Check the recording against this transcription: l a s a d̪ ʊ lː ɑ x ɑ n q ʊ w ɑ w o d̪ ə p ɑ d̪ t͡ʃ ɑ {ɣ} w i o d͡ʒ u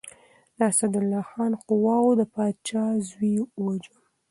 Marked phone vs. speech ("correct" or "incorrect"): incorrect